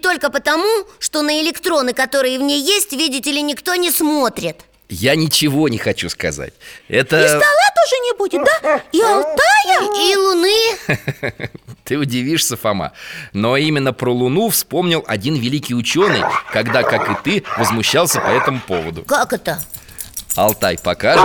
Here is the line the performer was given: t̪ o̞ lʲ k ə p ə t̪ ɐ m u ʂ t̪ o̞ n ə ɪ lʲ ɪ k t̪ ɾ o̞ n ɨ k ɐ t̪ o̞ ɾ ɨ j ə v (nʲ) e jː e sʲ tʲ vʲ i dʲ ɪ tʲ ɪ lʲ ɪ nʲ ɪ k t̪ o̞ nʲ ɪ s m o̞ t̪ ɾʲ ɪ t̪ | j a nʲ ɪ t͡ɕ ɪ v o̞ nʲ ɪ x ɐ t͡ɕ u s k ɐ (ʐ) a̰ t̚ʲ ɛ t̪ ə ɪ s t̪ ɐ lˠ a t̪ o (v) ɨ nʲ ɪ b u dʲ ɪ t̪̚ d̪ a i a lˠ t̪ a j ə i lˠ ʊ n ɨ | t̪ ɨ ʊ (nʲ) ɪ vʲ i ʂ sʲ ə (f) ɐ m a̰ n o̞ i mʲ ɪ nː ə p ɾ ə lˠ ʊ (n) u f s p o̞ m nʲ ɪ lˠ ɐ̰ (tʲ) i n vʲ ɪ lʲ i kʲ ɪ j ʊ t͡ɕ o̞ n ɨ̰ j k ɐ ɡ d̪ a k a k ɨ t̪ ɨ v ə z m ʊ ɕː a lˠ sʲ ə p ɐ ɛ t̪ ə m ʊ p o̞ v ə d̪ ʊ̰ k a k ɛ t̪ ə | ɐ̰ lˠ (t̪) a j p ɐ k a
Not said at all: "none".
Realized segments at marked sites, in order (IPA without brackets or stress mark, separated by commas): nʲ, z, ʐ, dʲ, f, n, dʲ, t̪